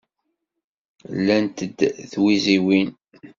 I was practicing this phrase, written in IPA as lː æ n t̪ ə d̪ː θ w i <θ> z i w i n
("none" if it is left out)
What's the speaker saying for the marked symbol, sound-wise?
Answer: none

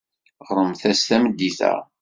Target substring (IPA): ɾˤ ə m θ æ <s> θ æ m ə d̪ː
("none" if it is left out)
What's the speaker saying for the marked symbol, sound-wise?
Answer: s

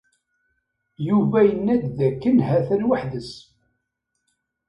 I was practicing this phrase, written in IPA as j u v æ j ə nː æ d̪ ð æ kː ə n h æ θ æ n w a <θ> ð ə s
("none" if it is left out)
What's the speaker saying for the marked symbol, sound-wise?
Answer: ħ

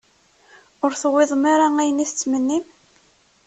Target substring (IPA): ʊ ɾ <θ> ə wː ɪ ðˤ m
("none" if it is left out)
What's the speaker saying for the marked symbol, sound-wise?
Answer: θ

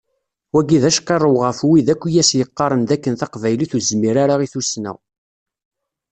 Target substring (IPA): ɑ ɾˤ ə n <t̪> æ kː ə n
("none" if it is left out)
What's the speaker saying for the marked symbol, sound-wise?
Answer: d̪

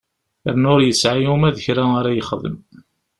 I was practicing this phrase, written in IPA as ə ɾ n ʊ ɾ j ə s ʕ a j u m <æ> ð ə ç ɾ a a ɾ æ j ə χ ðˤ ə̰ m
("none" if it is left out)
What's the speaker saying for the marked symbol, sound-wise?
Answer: æ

